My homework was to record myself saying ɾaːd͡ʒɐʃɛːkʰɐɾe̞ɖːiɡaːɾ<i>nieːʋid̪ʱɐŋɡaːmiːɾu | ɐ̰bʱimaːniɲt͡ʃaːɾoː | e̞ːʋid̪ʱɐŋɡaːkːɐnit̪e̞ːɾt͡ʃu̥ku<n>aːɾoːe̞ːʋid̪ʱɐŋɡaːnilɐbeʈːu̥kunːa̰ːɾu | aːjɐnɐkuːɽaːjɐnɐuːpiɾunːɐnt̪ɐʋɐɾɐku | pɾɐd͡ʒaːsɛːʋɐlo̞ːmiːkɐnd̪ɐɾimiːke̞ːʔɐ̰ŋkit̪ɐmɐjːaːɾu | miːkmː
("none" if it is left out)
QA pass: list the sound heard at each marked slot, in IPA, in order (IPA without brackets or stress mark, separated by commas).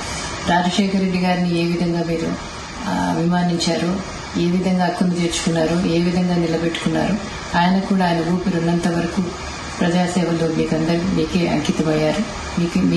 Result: i, nː